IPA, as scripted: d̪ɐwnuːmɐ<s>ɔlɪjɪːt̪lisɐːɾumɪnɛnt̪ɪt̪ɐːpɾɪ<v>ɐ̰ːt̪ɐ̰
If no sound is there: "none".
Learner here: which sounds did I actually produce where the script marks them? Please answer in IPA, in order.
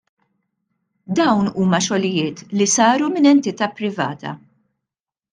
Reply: ʃ, v

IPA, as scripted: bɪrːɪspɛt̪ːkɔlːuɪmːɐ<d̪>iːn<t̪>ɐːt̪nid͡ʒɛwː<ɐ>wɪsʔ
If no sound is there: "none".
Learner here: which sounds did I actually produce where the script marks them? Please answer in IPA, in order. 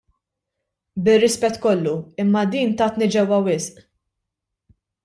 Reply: d̪, t̪, ɐ

